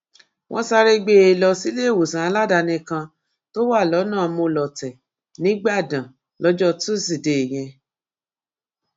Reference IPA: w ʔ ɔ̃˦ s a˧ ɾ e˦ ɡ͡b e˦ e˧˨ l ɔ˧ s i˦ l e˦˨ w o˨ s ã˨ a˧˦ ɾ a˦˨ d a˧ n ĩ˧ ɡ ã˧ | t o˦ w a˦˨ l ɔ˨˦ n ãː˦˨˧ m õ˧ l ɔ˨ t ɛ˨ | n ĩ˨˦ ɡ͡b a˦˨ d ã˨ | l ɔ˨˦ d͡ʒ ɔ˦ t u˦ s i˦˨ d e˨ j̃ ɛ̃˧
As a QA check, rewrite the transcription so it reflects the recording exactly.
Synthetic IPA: w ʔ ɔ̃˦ s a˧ ɾ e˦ ɡ͡b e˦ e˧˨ l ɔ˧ s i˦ l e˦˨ w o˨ s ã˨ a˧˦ l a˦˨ d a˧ n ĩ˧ k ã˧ | t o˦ w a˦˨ l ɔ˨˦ n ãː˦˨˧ m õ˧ l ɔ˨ t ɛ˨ | n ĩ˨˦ ɡ͡b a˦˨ d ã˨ | l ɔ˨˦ d͡ʒ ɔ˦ t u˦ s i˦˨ d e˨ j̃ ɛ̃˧